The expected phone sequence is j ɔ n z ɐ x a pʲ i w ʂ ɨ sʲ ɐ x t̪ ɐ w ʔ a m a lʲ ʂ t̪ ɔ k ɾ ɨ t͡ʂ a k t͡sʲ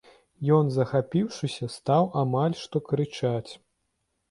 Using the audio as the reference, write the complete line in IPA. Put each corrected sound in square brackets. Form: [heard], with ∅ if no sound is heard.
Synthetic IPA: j ɔ n z ɐ x a pʲ i w ʂ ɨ sʲ ɐ [s] t̪ [a] w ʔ a m a lʲ ʂ t̪ ɔ k ɾ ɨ t͡ʂ a [∅] t͡sʲ